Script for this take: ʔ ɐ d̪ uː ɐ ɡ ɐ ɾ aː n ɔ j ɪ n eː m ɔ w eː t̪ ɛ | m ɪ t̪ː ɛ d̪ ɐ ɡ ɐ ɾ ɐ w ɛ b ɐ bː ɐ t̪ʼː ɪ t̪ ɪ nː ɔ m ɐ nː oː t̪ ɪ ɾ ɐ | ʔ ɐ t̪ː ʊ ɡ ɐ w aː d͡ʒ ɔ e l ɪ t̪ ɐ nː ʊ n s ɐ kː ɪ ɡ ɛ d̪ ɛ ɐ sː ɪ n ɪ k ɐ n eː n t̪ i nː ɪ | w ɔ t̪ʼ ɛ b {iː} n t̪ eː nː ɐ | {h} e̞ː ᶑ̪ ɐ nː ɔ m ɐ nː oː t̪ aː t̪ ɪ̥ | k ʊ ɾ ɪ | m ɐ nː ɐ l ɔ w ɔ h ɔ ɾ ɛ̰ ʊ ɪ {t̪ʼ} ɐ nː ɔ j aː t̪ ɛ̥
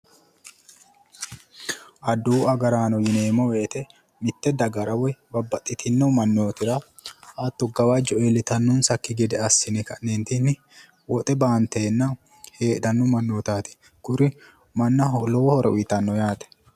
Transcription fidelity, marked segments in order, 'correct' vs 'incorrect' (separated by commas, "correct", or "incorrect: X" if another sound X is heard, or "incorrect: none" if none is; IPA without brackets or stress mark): incorrect: aː, correct, incorrect: t̪